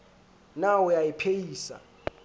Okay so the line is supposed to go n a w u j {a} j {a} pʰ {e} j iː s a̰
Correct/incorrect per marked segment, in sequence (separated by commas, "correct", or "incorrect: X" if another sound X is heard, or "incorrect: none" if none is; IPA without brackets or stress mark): correct, incorrect: i, correct